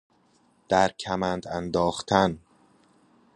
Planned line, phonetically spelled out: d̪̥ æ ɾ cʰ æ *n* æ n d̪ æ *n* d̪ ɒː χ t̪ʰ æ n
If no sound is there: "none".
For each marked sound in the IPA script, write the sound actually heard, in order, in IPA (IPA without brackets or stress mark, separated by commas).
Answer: m, n